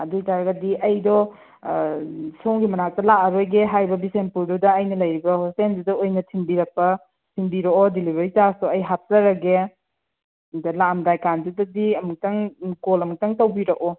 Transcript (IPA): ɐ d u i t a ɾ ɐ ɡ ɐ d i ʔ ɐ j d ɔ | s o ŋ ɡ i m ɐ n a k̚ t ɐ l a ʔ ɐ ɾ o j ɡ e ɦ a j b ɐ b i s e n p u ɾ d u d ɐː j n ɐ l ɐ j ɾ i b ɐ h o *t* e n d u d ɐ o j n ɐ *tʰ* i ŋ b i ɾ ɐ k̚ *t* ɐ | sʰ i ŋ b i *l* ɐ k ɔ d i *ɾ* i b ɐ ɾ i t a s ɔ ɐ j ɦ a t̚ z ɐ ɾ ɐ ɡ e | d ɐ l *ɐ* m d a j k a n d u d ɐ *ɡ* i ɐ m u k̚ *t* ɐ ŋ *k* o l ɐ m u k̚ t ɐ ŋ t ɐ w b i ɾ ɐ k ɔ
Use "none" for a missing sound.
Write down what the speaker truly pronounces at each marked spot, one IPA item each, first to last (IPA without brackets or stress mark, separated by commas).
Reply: s, tʰ, p, ɾ, l, a, d, t, k